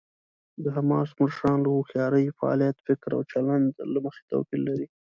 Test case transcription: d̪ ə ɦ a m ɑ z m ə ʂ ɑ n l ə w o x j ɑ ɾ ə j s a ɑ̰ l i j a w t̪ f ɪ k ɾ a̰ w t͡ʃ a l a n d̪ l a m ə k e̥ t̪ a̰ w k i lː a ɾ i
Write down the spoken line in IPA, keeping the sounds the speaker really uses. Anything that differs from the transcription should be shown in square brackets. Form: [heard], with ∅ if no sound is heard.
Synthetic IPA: d̪ ə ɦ a m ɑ [s] m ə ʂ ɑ n l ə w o x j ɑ ɾ ə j [f] a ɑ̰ l i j a [∅] t̪ f ɪ k ɾ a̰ w t͡ʃ a l a n d̪ l a m ə [x] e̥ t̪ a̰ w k i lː a ɾ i